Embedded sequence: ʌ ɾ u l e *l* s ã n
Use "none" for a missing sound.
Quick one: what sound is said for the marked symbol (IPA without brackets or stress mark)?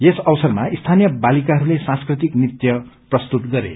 none